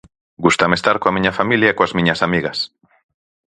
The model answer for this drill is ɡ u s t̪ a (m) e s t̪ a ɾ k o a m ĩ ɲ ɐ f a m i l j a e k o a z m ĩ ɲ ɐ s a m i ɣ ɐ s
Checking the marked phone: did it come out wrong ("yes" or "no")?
no